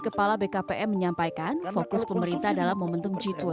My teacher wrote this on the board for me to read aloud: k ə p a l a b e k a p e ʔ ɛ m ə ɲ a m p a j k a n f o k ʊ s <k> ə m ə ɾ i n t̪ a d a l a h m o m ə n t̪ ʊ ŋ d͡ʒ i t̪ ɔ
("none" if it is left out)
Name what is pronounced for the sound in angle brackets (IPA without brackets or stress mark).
p